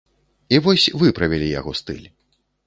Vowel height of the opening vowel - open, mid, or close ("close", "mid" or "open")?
close